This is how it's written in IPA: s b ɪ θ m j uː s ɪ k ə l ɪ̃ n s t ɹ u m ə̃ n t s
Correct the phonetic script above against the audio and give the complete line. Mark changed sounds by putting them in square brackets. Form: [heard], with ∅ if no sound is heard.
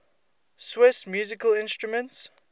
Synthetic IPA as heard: s [w] ɪ [s] m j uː [z] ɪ k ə l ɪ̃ n s t ɹ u m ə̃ n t s